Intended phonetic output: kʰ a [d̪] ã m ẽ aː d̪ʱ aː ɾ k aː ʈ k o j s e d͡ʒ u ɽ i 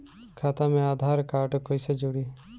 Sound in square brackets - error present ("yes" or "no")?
yes